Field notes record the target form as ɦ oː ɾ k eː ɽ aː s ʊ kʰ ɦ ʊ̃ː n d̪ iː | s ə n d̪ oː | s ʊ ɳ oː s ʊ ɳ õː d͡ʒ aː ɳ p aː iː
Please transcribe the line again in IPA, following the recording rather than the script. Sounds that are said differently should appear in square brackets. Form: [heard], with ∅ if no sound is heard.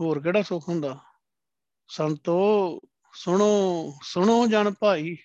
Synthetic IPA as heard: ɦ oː ɾ k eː ɽ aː s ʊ kʰ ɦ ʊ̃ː n d̪ [aː] | s ə n [t̪] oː | s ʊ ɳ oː s ʊ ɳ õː d͡ʒ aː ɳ p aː iː